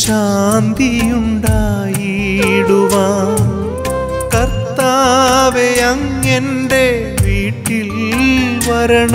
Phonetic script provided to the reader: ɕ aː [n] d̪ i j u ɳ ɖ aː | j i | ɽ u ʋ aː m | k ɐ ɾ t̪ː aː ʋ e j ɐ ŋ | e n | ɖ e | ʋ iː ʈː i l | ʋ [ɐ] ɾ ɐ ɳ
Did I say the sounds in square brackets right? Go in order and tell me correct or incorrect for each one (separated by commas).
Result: correct, correct